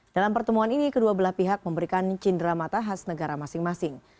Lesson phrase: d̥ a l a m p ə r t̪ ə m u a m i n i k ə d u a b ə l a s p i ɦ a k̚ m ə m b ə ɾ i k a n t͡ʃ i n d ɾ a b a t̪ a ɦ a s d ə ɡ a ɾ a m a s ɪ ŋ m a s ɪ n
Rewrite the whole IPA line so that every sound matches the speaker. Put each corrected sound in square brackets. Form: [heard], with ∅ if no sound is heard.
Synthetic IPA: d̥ a l a m p ə r t̪ ə m u a [n] i n i k ə d u a b ə l a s p i ɦ a k̚ m ə m b ə ɾ i k a n t͡ʃ i n d ɾ a [m] a t̪ a ɦ a s [n] ə ɡ a ɾ a m a s ɪ ŋ m a s ɪ [ŋ]